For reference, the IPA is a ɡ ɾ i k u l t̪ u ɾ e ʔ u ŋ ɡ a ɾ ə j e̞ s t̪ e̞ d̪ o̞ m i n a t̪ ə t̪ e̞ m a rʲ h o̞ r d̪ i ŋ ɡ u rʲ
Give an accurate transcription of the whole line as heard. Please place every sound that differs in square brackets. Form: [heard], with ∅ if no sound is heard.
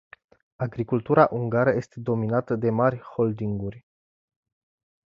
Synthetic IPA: a ɡ ɾ i k u l t̪ u ɾ [a] ʔ u ŋ ɡ a ɾ ə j e̞ s t̪ e̞ d̪ o̞ m i n a t̪ ə [d̪] e̞ m a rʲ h o̞ [l] d̪ i ŋ ɡ u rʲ